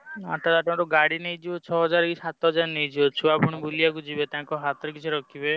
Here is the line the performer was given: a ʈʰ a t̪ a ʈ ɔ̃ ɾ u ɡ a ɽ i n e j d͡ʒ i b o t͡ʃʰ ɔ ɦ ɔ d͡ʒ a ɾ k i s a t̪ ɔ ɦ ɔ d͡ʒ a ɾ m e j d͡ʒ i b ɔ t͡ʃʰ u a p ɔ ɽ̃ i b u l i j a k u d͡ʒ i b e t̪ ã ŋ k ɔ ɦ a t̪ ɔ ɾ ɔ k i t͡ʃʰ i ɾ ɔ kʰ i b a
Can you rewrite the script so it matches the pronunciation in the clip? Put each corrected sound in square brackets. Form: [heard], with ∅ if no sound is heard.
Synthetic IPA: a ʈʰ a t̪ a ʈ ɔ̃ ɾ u ɡ a ɽ i n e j d͡ʒ i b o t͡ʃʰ ɔ ɦ ɔ d͡ʒ a ɾ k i s a t̪ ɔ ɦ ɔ d͡ʒ a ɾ [n] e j d͡ʒ i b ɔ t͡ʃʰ u a p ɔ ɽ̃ i b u l i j a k u d͡ʒ i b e t̪ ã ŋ k ɔ ɦ a t̪ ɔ ɾ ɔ k i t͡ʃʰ i ɾ ɔ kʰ i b [e]